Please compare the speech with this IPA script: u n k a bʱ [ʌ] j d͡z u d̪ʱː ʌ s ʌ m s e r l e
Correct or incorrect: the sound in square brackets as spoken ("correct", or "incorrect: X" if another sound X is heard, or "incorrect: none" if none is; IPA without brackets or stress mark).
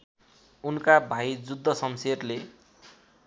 incorrect: a